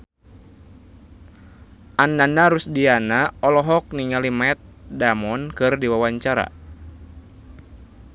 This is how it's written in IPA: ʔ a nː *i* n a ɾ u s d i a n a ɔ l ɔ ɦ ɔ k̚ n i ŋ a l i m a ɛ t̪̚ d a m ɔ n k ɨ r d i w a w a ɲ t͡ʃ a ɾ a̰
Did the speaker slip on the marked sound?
yes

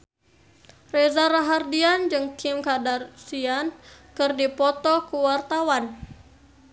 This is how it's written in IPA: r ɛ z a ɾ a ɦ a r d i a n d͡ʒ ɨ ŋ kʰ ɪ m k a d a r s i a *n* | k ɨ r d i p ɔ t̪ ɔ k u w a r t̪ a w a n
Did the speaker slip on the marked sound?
no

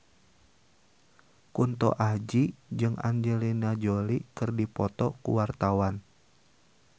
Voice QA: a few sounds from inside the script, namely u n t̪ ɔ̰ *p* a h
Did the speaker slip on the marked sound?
yes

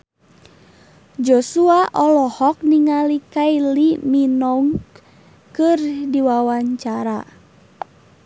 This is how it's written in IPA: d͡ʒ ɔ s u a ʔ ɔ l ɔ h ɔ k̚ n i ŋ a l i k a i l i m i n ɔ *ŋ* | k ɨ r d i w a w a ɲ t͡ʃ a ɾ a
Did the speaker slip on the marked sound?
no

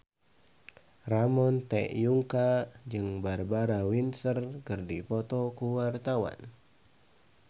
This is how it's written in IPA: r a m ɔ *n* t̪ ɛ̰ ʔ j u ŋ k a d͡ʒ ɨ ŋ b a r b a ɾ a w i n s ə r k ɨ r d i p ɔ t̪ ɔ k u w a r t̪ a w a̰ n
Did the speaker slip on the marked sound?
no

